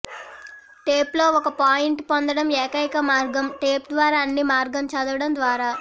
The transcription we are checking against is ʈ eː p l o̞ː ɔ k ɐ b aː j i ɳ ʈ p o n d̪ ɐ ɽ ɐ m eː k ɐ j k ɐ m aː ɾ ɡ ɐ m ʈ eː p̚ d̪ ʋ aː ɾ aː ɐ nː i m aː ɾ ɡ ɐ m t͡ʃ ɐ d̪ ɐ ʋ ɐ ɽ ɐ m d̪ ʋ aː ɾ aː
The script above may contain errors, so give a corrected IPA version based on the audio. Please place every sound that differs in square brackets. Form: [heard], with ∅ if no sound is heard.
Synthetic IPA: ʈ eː p l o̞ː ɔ k ɐ [p] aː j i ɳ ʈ p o n d̪ ɐ ɽ ɐ m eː k ɐ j k ɐ m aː ɾ ɡ ɐ m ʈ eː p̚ d̪ ʋ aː ɾ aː ɐ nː i m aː ɾ ɡ ɐ m t͡ʃ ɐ d̪ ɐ ʋ ɐ ɽ ɐ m d̪ ʋ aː ɾ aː